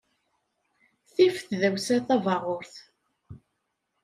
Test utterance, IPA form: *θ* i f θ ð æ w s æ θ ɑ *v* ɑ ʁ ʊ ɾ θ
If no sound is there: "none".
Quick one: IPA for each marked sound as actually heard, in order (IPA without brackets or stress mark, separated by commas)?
θ, v